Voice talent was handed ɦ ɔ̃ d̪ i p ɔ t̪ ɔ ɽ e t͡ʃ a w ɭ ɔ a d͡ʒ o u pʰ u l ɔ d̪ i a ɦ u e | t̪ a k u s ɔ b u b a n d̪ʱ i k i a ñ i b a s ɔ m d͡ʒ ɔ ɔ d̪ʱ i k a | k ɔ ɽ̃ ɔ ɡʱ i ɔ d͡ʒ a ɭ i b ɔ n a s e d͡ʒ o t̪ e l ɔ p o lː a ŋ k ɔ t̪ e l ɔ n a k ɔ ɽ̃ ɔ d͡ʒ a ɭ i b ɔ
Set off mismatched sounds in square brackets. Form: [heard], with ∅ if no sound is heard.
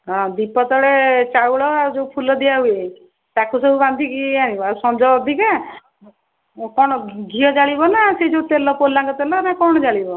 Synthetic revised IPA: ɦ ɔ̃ d̪ i p ɔ t̪ ɔ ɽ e t͡ʃ a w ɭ ɔ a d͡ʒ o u pʰ u l ɔ d̪ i a ɦ u e | t̪ a k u s ɔ b u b a n d̪ʱ i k i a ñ i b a s ɔ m d͡ʒ ɔ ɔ d̪ʱ i k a | k ɔ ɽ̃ ɔ ɡʱ i ɔ d͡ʒ a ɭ i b ɔ n a s e d͡ʒ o t̪ e l ɔ p o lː a ŋ k ɔ t̪ e l ɔ n a k ɔ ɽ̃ ɔ d͡ʒ a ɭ i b ɔ